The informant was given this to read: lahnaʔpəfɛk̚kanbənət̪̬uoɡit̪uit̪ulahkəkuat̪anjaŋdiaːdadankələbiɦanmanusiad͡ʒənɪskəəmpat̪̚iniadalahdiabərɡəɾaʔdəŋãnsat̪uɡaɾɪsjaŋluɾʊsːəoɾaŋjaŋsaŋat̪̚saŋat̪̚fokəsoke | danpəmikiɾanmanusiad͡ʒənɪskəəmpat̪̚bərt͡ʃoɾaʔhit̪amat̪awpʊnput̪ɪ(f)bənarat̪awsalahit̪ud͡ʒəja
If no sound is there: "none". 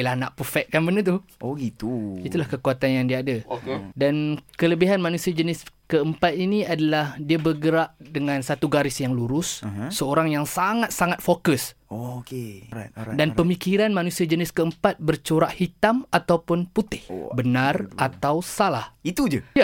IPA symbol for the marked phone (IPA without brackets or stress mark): h